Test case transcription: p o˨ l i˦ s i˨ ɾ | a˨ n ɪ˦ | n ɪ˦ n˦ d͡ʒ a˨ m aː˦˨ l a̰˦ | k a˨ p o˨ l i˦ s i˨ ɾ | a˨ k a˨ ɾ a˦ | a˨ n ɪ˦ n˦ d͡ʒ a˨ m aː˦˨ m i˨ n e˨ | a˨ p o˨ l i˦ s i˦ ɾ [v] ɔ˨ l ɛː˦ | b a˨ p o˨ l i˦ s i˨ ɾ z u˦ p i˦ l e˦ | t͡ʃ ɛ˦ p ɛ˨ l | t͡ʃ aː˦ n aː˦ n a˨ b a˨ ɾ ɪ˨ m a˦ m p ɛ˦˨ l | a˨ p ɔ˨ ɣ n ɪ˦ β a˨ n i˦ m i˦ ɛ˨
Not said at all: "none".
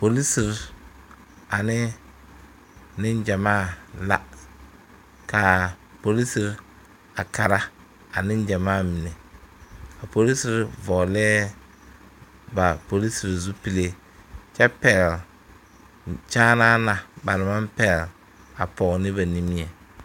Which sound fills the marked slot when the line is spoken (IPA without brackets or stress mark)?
v